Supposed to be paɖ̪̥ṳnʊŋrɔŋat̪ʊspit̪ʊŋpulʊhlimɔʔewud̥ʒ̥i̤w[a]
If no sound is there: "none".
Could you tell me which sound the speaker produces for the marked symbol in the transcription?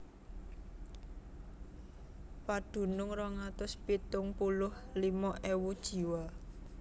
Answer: a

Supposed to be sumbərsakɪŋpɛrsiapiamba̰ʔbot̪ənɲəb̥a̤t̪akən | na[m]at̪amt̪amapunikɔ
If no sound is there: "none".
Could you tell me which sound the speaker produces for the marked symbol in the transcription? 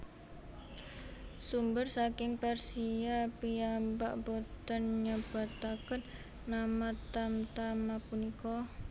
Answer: m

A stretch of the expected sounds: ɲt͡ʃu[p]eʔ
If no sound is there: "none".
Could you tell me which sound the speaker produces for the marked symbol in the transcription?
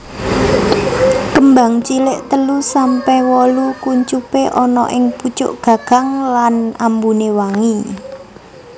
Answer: p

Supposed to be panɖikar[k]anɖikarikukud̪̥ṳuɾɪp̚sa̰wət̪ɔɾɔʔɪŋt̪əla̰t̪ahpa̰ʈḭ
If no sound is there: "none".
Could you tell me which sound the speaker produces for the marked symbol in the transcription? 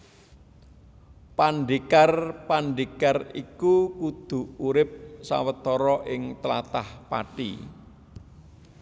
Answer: p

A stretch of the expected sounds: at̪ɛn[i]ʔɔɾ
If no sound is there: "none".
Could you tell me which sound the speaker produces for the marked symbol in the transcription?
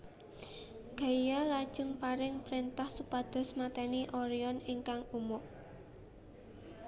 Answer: i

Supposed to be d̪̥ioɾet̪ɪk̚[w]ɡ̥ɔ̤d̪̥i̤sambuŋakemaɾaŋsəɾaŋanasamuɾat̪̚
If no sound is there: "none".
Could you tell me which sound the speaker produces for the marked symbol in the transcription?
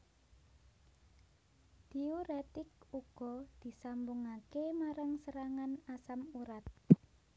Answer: u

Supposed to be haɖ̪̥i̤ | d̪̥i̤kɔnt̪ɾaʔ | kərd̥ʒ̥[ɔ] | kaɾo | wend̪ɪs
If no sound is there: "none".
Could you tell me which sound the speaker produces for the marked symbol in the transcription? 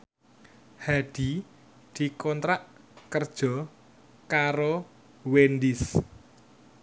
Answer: ɔ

